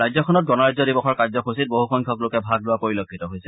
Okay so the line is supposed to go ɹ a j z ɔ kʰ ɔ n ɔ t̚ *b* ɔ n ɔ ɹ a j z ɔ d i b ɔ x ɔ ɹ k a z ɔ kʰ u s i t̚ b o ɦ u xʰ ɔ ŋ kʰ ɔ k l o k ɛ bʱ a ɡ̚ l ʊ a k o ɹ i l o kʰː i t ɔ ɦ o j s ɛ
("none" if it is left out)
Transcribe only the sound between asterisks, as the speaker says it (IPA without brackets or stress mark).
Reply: ɡ